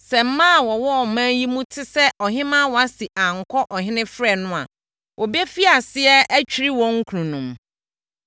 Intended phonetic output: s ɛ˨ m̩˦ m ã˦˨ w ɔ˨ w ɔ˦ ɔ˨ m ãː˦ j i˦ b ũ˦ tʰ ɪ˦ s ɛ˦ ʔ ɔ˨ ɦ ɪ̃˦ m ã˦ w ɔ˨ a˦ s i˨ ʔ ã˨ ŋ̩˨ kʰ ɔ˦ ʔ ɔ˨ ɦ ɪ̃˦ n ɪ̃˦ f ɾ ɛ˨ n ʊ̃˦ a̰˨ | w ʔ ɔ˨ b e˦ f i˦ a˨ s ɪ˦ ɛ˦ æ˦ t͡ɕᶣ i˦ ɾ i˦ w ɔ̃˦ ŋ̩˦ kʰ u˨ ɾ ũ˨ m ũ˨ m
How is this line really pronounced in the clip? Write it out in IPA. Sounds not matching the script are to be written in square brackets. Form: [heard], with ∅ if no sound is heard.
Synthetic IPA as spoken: s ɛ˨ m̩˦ m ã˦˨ w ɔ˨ w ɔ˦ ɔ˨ m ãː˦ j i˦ [m] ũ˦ tʰ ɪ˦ s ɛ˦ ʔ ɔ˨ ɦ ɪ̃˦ m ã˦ w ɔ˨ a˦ s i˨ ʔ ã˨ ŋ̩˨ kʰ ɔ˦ ʔ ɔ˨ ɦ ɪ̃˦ n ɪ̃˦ f ɾ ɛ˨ n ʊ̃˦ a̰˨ | w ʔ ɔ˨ b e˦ f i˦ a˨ s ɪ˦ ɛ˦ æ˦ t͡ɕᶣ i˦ ɾ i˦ w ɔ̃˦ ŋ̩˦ kʰ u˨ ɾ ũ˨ [n] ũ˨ m